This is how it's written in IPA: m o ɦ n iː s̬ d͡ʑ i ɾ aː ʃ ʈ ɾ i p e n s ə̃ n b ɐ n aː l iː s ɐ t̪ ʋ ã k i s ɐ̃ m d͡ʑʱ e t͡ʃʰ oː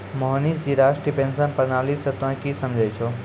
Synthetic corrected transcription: m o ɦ n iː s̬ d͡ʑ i ɾ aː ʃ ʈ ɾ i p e n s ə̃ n p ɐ n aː l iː s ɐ t̪ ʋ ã k i s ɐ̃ m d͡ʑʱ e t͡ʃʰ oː